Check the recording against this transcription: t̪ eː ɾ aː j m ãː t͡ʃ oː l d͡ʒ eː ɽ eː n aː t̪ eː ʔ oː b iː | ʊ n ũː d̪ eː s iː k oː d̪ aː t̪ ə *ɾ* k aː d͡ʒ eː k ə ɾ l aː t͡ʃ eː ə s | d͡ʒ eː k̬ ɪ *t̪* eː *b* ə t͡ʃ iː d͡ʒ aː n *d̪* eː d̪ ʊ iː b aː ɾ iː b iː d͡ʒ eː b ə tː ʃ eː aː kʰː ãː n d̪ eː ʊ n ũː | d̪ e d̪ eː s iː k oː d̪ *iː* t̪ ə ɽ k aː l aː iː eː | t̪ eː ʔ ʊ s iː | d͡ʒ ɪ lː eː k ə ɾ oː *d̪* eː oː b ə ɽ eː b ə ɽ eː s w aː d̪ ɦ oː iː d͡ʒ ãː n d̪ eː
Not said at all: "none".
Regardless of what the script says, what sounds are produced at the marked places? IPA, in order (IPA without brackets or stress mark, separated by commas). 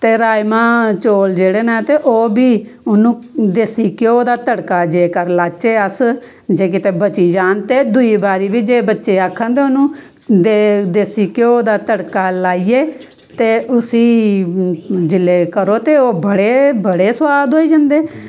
ɽ, t̪, b, t̪, aː, t̪